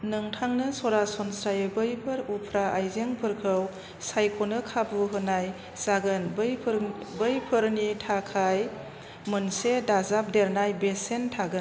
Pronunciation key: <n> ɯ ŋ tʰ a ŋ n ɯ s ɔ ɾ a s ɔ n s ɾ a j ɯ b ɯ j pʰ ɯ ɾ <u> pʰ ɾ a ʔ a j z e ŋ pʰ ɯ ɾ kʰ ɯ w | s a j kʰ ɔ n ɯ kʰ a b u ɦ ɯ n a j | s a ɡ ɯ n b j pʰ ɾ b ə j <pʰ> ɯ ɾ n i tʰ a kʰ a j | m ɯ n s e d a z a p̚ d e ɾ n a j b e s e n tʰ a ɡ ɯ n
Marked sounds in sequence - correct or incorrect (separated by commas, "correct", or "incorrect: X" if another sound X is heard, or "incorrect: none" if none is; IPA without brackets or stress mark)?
correct, correct, correct